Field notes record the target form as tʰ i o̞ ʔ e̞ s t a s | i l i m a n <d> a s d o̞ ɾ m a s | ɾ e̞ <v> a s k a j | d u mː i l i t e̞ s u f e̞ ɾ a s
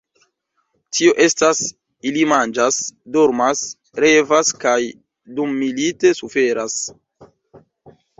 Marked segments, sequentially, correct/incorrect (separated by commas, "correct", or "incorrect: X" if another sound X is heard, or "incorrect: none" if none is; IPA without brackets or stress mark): incorrect: d͡ʒ, correct